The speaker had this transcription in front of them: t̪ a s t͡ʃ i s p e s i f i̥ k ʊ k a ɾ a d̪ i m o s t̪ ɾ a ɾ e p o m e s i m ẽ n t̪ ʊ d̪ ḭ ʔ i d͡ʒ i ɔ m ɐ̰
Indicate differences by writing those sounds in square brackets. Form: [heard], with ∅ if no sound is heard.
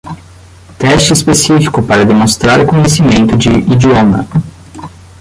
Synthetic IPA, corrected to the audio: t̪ [ɛ] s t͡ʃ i s p e s i f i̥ k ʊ [p] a ɾ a d̪ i m o s t̪ ɾ a ɾ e [k] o [ɲ] e s i m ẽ n t̪ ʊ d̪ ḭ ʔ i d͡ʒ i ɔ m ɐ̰